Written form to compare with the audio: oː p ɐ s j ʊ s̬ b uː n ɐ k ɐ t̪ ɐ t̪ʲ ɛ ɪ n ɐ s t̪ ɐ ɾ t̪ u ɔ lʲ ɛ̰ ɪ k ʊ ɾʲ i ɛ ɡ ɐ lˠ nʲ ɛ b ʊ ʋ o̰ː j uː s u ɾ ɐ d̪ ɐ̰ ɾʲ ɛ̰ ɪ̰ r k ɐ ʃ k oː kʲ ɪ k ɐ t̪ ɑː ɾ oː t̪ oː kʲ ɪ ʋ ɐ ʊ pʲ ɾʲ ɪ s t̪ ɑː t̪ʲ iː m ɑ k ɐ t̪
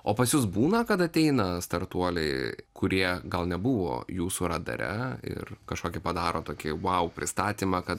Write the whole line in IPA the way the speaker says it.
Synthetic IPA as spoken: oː p ɐ s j ʊ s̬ b uː n ɐ k ɐ t̪ ɐ t̪ʲ ɛ ɪ n ɐ s t̪ ɐ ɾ t̪ u ɔ lʲ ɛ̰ ɪ k ʊ ɾʲ i ɛ ɡ ɐ lˠ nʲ ɛ b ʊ ʋ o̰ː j uː s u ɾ ɐ d̪ ɐ̰ ɾʲ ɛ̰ ɪ̰ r k ɐ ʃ k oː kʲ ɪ p ɐ d̪ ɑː ɾ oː t̪ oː kʲ ɪ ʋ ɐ ʊ pʲ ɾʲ ɪ s t̪ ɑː t̪ʲ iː m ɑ k ɐ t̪